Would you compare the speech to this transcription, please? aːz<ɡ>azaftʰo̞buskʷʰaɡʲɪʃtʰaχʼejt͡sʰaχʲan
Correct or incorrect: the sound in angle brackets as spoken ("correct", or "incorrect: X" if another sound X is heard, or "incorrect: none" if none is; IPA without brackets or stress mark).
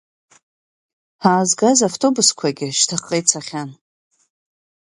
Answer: correct